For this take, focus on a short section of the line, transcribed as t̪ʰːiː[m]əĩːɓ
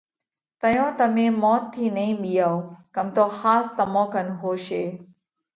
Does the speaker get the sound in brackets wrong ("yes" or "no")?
yes